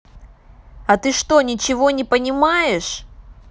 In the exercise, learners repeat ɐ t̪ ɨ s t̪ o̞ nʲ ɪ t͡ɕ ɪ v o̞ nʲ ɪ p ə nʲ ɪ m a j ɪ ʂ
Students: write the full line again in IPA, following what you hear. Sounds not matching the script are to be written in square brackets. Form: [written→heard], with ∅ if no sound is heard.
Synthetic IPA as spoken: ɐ t̪ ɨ [s→ʂ] t̪ o̞ nʲ ɪ t͡ɕ ɪ v o̞ nʲ ɪ p ə nʲ ɪ m a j ɪ ʂ